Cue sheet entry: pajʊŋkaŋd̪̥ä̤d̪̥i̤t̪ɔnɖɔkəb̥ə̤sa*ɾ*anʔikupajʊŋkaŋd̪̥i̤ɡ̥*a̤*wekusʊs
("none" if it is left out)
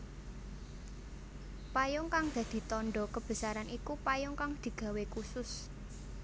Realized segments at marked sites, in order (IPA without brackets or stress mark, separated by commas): ɾ, a̤